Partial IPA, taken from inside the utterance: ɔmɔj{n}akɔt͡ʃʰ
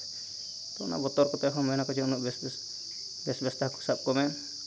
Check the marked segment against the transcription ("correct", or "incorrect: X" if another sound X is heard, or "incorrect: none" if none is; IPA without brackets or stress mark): correct